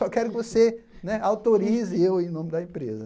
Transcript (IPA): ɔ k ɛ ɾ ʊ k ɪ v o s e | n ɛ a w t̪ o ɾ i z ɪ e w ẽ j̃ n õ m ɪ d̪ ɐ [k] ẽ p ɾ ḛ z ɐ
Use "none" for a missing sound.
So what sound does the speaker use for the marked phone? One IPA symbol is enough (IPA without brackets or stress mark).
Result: none